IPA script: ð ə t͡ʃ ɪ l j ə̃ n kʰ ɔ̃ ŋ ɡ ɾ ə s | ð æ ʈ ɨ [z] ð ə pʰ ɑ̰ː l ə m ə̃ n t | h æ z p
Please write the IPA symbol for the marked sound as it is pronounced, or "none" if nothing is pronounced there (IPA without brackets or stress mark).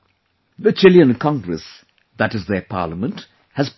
z